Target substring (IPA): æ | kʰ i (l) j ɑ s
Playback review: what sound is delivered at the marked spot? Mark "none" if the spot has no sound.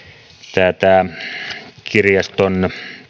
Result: r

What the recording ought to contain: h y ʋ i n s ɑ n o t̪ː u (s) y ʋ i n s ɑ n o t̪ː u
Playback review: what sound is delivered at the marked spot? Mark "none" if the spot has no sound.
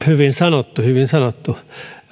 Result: h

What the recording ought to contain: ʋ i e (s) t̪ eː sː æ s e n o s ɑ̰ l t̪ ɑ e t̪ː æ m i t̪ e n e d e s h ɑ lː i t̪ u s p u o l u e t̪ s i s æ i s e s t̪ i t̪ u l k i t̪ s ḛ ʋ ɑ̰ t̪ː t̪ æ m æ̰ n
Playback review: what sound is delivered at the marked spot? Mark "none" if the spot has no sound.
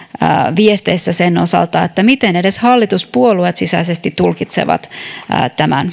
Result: s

